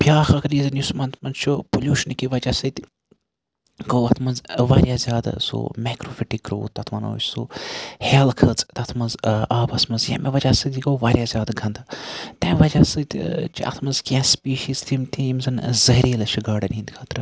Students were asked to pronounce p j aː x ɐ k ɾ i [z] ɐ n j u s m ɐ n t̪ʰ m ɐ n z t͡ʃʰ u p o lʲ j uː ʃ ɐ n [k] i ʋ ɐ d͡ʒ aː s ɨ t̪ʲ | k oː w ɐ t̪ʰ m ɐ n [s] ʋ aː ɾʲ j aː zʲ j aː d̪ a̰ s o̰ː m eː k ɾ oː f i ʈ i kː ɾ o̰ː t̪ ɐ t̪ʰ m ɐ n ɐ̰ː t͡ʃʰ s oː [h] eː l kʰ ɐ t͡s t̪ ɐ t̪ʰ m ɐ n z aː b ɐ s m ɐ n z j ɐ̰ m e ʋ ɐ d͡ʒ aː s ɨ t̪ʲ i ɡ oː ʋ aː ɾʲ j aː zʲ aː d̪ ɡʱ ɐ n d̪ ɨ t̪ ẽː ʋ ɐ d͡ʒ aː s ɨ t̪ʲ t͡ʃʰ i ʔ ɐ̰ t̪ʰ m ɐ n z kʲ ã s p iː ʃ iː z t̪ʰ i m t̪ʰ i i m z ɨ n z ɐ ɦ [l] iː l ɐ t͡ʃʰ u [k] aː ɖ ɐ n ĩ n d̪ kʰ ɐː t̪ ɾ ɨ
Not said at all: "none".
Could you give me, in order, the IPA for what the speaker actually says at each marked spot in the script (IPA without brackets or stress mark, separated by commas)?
z, k, z, h, ɾ, ɡ